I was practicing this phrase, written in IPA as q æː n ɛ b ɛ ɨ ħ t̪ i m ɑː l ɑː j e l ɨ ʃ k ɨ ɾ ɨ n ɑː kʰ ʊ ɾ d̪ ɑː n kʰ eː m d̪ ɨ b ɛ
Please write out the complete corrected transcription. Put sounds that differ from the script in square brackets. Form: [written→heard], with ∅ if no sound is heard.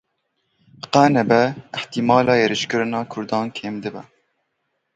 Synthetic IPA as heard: q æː n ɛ b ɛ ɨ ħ t̪ i m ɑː l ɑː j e [l→ɾ] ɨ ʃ k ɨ ɾ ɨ n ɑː kʰ ʊ ɾ d̪ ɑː n kʰ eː m d̪ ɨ b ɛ